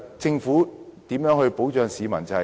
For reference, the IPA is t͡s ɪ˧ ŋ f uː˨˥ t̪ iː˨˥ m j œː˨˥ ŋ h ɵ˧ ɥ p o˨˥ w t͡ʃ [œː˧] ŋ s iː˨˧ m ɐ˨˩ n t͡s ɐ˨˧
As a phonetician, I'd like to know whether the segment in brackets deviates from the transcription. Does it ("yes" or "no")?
no